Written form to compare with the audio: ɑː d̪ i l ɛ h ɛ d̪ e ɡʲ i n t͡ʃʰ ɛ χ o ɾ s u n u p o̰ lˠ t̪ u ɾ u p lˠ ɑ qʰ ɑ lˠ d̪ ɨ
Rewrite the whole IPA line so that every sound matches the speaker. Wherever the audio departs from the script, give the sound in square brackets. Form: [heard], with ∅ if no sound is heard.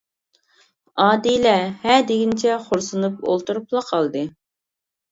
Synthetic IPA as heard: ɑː d̪ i l ɛ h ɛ d̪ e ɡʲ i n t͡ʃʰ ɛ χ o ɾ s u n u p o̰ lˠ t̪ u ɾ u p lˠ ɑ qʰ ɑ lˠ d̪ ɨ